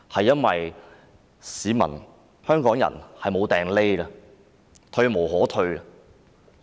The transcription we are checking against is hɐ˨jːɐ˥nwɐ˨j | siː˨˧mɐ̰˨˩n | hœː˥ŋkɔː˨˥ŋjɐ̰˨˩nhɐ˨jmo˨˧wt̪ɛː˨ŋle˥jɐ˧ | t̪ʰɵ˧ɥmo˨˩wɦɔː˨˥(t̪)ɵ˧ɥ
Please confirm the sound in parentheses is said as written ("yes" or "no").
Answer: no